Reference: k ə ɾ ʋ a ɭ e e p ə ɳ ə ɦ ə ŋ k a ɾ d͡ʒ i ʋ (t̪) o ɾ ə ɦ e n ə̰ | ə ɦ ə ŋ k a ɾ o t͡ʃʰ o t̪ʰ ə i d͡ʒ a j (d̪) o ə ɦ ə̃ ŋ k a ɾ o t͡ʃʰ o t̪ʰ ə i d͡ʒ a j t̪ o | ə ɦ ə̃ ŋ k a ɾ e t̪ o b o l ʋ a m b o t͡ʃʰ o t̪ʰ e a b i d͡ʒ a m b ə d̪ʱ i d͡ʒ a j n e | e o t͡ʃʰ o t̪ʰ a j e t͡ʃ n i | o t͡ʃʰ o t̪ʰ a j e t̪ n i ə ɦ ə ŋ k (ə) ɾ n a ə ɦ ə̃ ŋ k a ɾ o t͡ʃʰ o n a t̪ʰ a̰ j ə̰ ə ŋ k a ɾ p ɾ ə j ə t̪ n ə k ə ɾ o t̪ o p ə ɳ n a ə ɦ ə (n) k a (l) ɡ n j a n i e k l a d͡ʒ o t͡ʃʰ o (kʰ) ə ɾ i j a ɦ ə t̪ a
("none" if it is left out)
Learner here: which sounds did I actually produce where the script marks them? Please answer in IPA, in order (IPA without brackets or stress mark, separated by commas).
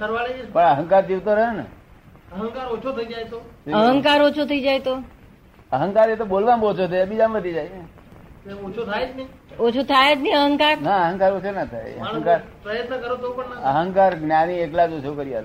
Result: t̪, t̪, a, ŋ, ɾ, k